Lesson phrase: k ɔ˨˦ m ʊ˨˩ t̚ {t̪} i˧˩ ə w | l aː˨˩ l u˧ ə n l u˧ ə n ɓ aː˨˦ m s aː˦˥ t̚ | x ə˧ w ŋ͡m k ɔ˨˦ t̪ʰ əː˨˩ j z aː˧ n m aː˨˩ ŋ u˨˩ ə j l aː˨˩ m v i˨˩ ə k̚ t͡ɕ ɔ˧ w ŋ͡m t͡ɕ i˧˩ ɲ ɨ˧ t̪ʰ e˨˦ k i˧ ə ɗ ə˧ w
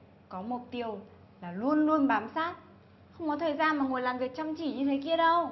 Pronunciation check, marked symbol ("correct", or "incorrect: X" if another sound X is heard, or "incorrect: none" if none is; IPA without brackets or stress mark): correct